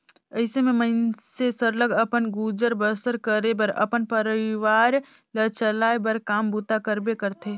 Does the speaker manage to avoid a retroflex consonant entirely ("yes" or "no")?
yes